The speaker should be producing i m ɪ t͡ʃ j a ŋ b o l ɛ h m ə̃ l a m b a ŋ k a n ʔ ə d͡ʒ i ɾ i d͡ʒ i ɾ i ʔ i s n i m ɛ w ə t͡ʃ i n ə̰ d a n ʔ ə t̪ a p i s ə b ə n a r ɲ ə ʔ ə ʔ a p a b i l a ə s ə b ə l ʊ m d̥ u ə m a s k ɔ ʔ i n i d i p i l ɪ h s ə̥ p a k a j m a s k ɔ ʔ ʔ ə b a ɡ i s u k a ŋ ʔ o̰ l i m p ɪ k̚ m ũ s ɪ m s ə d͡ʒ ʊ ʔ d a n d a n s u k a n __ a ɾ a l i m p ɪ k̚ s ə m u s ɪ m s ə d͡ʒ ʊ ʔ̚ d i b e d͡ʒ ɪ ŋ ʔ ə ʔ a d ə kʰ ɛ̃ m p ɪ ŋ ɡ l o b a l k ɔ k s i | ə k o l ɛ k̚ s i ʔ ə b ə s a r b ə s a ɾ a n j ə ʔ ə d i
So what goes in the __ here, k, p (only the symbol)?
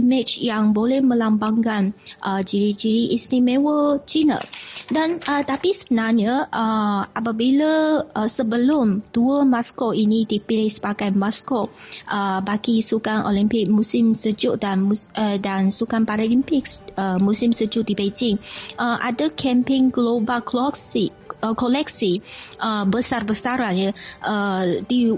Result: p